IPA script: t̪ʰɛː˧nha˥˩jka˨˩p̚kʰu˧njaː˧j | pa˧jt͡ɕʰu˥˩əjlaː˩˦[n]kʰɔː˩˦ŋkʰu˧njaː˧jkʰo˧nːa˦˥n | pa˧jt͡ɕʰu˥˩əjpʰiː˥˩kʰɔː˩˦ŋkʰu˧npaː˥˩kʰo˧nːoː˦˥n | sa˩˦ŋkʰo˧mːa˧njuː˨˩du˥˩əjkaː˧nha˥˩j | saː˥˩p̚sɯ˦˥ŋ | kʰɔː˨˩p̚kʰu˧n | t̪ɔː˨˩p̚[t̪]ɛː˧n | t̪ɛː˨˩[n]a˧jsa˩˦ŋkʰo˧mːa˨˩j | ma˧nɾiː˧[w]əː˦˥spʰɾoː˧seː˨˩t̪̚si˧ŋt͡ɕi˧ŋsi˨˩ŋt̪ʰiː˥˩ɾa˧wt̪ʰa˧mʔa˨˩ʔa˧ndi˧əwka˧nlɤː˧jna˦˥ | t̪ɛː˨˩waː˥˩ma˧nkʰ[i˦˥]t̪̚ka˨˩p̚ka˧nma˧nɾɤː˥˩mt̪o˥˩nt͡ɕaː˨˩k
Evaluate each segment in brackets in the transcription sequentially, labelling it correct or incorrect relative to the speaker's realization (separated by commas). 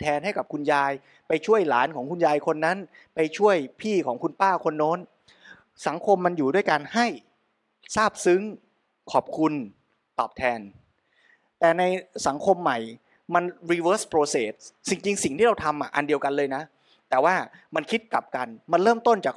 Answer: correct, incorrect, correct, correct, correct